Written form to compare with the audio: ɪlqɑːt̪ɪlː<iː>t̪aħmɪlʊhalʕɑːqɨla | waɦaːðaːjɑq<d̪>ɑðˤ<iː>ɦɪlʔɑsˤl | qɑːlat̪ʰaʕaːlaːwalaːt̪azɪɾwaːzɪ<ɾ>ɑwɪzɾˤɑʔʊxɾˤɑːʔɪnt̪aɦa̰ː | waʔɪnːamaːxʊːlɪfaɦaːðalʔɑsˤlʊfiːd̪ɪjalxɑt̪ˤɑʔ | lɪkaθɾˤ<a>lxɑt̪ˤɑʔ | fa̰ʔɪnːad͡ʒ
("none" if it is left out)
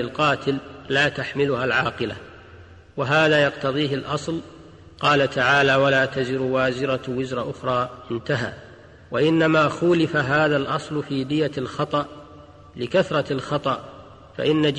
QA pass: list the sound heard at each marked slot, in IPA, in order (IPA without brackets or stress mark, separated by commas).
aː, t̪, iː, ɾ, ɑ